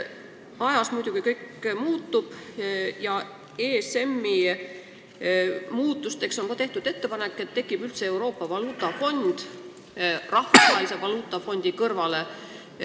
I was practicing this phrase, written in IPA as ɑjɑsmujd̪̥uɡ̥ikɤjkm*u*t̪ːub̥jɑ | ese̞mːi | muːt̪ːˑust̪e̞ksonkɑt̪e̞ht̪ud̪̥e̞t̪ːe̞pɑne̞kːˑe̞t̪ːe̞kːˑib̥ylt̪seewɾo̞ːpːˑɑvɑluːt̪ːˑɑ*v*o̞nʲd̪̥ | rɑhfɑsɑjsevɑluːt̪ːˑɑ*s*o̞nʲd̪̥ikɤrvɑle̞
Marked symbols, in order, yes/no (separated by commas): no, no, no